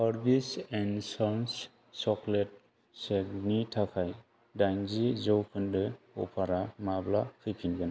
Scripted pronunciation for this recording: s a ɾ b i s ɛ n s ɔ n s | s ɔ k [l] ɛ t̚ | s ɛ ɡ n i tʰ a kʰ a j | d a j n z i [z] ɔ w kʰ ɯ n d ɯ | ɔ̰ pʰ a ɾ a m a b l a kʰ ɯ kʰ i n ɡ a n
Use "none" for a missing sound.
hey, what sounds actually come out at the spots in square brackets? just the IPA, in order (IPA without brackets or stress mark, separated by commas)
l, z